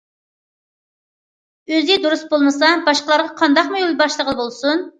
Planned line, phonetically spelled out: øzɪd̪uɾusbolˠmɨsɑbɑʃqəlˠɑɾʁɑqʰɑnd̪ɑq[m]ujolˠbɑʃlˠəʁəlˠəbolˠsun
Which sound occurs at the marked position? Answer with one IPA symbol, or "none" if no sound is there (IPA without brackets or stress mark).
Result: m